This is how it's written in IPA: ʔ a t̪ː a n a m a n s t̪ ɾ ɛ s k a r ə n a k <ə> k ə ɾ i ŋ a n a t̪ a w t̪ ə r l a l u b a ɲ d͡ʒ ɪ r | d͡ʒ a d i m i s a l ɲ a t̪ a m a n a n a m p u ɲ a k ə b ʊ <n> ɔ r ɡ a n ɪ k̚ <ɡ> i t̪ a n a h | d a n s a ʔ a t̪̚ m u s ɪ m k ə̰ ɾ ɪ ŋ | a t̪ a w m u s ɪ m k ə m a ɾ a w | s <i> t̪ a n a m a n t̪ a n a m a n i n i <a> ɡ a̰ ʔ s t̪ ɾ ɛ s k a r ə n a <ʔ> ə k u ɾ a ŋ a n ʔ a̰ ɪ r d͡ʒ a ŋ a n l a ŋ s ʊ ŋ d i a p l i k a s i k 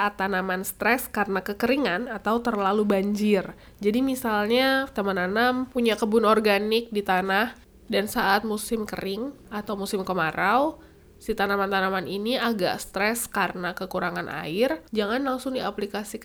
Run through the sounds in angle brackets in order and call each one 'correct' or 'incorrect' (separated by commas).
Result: correct, correct, incorrect, correct, correct, incorrect